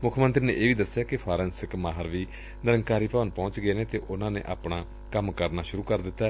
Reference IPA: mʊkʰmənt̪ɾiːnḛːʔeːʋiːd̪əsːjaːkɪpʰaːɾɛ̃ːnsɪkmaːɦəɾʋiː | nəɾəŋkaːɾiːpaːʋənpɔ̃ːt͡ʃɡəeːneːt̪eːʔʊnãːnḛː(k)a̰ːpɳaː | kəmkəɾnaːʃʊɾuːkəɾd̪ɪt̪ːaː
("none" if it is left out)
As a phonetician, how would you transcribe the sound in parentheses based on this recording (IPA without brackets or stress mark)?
ʔ